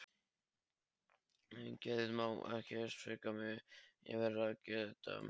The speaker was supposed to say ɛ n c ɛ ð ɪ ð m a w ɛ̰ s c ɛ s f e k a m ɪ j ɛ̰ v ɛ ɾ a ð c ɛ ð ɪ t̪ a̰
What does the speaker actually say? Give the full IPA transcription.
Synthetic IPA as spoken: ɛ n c ɛ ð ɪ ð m a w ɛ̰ h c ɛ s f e k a m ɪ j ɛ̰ v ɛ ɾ a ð c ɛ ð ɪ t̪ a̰